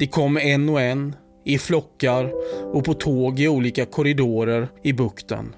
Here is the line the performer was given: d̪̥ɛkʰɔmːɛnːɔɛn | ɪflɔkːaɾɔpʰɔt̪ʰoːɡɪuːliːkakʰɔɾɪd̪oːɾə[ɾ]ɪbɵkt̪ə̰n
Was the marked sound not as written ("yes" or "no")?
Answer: no